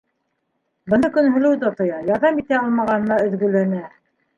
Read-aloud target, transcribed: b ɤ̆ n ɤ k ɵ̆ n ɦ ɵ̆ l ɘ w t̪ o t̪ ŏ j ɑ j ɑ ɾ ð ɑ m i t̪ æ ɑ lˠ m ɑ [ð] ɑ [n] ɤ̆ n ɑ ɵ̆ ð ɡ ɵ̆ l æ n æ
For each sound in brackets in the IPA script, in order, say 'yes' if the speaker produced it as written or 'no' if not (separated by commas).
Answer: no, yes